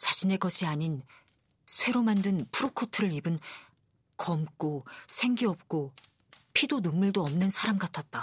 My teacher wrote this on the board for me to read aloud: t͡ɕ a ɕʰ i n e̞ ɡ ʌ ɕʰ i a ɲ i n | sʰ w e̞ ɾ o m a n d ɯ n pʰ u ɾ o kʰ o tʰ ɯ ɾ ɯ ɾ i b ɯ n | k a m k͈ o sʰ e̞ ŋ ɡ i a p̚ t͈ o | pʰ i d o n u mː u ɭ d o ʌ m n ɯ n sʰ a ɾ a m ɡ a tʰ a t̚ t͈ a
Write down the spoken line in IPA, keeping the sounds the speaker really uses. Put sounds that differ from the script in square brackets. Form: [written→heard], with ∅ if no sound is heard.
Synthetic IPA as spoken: t͡ɕ a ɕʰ i n e̞ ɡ ʌ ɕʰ i a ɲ i n | sʰ w e̞ ɾ o m a n d ɯ n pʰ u ɾ o kʰ o tʰ ɯ ɾ ɯ ɾ i b ɯ n | k [a→ʌ] m k͈ o sʰ e̞ ŋ ɡ i [a→ʌ] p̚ [t͈→k͈] o | pʰ i d o n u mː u ɭ d o ʌ m n ɯ n sʰ a ɾ a m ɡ a tʰ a t̚ t͈ a